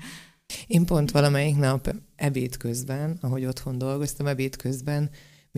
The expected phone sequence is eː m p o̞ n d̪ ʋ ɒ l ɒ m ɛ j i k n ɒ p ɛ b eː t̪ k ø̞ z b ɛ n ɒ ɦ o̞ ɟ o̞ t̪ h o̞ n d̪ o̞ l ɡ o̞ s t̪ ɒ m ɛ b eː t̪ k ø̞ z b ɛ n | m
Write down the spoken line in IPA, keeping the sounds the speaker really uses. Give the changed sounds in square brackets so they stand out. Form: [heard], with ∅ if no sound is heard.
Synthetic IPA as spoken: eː m p o̞ n [t̪] ʋ ɒ l ɒ m ɛ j i k n ɒ p ɛ b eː t̪ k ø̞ z b ɛ n ɒ ɦ o̞ ɟ o̞ t̪ h o̞ n d̪ o̞ l ɡ o̞ s t̪ ɒ m ɛ b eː t̪ k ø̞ z b ɛ n | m